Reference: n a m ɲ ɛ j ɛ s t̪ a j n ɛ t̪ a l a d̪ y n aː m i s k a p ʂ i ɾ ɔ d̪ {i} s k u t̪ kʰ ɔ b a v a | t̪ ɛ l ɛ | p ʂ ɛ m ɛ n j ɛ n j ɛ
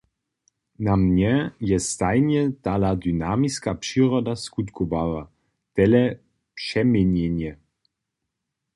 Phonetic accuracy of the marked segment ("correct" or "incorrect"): incorrect